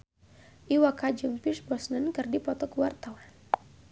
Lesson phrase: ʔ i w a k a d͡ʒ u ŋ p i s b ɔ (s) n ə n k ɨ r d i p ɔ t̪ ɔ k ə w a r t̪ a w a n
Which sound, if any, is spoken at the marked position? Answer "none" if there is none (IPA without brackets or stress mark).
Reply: s